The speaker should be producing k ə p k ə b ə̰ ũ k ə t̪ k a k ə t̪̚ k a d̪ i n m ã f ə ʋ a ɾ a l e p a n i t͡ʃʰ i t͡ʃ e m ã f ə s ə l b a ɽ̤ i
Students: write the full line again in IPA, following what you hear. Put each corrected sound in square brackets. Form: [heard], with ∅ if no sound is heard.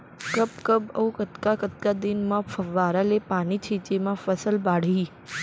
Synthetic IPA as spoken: k ə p k ə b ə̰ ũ k ə t̪ k a k ə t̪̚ k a d̪ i n m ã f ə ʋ a ɾ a l e p a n i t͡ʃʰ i t͡ʃ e m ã f ə s ə l b a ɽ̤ i